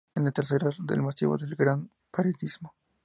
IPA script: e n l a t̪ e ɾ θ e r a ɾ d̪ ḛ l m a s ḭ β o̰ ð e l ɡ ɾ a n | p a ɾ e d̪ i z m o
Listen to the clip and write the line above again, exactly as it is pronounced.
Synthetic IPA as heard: e n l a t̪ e ɾ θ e ɾ a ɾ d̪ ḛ l m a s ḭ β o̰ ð e l ɡ ɾ a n | p a ɾ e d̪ i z m o